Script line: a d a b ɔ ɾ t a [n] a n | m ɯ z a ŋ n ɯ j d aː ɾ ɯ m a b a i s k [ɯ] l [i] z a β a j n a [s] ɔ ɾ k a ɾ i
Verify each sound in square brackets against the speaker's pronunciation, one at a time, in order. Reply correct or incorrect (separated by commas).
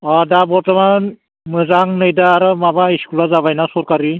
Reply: incorrect, incorrect, incorrect, correct